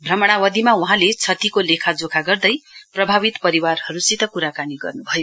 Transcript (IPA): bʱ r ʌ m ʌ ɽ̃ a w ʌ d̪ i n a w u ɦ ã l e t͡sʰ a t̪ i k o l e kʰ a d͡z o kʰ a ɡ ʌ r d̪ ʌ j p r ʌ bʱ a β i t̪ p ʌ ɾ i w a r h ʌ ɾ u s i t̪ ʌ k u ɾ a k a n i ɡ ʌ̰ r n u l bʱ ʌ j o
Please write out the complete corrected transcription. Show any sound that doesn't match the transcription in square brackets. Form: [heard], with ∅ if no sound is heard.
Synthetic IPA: bʱ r ʌ m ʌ ɽ̃ a w ʌ d̪ i [m] a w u ɦ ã l e t͡sʰ [ʌ] t̪ i k o l e kʰ a d͡z o kʰ a ɡ ʌ r d̪ ʌ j p r ʌ bʱ a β i t̪ p ʌ ɾ i w a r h ʌ ɾ u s i t̪ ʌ k u ɾ a k a n i ɡ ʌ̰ r n u [∅] bʱ ʌ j o